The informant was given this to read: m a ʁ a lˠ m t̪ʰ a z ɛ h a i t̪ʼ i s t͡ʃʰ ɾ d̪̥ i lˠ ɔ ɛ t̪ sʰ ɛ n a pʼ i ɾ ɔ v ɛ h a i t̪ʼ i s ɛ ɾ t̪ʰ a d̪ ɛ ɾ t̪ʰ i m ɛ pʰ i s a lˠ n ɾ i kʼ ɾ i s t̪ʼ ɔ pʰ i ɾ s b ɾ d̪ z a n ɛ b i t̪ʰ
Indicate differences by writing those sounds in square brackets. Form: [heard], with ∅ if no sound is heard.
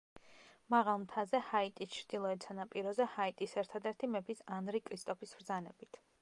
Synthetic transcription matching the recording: m a ʁ a lˠ m t̪ʰ a z ɛ h a i t̪ʼ i s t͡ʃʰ ɾ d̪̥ i lˠ ɔ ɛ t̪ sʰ [a] n a pʼ i ɾ ɔ [z] ɛ h a i t̪ʼ i s ɛ ɾ t̪ʰ a d̪ ɛ ɾ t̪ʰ i m ɛ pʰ i s a [∅] n ɾ i kʼ ɾ i s t̪ʼ ɔ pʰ i [∅] s b ɾ d̪ z a n ɛ b i t̪ʰ